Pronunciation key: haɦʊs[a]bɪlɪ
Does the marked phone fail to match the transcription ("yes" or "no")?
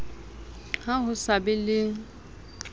no